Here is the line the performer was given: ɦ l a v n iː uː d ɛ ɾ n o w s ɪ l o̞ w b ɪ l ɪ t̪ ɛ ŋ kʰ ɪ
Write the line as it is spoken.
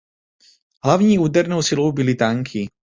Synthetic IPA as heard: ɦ l a v ɲ iː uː d ɛ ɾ n o w s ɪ l o̞ w b ɪ l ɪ t̪ a ŋ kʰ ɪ